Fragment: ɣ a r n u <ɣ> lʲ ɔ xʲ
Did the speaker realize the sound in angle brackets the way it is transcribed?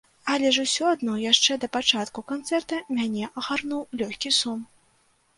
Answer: no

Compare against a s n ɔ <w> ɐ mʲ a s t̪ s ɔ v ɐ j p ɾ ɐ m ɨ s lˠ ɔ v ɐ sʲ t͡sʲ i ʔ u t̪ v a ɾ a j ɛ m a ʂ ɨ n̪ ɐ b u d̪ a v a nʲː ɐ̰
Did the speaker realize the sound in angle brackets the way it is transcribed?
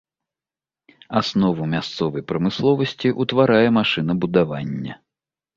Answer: no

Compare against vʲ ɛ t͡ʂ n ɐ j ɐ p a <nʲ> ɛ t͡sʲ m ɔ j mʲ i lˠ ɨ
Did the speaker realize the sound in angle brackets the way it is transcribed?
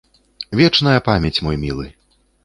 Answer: no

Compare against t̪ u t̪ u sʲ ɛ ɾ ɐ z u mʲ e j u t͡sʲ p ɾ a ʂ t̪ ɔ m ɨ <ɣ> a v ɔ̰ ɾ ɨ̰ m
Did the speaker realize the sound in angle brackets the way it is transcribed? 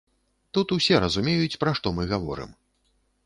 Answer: yes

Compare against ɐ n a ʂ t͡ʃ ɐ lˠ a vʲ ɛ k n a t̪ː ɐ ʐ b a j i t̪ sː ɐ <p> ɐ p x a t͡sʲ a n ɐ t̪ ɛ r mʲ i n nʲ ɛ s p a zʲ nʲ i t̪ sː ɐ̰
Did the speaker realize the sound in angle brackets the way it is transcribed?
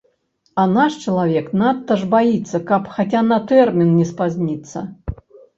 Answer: no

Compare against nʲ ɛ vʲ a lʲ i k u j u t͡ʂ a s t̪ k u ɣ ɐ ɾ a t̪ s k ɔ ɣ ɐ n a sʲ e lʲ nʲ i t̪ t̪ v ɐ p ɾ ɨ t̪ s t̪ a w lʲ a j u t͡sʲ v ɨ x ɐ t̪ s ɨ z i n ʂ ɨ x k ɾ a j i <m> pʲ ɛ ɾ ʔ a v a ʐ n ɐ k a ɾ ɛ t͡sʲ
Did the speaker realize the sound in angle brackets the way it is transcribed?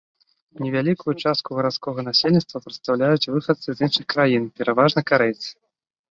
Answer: no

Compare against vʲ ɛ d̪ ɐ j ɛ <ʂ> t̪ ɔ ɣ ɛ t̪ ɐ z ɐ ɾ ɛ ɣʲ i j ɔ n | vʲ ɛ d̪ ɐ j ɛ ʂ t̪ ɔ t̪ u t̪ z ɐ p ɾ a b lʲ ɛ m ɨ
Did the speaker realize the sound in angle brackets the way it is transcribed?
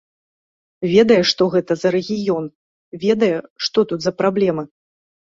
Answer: yes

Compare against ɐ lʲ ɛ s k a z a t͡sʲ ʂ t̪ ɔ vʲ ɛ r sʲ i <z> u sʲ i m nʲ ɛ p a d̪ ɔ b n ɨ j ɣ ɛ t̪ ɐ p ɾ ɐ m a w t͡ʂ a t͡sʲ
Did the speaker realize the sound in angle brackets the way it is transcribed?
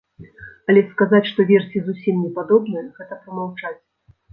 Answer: yes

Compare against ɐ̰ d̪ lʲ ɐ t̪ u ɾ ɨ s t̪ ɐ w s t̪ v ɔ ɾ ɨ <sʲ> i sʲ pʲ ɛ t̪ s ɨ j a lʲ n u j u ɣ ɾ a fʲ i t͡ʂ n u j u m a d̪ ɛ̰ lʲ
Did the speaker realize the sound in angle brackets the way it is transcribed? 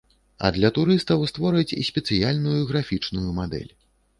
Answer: no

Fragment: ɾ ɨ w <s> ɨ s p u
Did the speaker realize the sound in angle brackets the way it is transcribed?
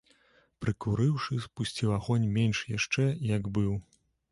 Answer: no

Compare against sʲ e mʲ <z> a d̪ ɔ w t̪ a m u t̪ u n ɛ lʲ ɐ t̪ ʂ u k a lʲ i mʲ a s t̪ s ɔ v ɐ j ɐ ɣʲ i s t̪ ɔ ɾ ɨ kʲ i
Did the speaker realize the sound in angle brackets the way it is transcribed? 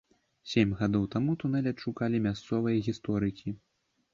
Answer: no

